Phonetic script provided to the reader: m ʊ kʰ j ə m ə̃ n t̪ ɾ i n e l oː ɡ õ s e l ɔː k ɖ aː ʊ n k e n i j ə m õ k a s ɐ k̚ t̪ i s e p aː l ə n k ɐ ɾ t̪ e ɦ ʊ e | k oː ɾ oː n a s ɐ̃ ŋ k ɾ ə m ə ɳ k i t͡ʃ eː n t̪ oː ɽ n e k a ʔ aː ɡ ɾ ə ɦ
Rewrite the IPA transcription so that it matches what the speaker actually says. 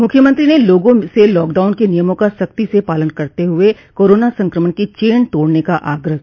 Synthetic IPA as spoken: m ʊ kʰ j ə m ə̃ n t̪ ɾ i n e l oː ɡ õ s e l ɔː k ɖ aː ʊ n k e n i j ə m õ k a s ɐ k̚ t̪ i s e p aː l ə n k ɐ ɾ t̪ e ɦ ʊ e | k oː ɾ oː n a s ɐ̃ ŋ k ɾ ə m ə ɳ k i t͡ʃ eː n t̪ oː ɽ n e k a ʔ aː ɡ ɾ ə ɦ